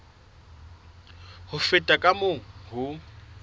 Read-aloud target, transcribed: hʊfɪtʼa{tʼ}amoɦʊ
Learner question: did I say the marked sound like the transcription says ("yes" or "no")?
no